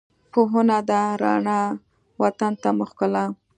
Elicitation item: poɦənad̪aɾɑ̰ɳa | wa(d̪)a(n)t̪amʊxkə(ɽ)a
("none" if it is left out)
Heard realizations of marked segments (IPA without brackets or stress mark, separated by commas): t̪, n, l